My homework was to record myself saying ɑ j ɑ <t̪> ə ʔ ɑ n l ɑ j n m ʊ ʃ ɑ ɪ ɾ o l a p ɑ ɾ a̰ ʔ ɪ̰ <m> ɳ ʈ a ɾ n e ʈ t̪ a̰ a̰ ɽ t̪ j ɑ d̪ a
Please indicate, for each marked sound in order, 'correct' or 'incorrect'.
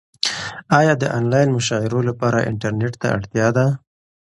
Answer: incorrect: d̪, incorrect: none

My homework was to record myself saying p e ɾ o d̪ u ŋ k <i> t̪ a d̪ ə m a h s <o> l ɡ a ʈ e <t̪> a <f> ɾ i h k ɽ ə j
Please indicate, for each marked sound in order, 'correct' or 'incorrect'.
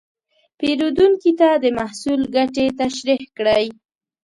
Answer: correct, incorrect: u, correct, incorrect: ʃ

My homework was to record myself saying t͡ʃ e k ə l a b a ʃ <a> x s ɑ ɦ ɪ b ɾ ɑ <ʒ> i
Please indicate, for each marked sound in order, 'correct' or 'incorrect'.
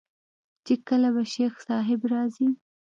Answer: incorrect: e, incorrect: z

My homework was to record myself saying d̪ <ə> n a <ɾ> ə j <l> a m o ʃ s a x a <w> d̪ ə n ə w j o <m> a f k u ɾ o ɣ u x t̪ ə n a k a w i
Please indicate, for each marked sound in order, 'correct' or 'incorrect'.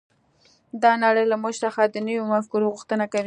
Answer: incorrect: ɑ, incorrect: ɽ, correct, incorrect: none, correct

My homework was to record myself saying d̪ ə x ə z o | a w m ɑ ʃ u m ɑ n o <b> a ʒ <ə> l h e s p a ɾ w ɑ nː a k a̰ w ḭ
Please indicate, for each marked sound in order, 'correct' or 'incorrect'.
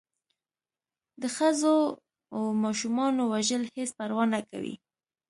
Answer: incorrect: w, correct

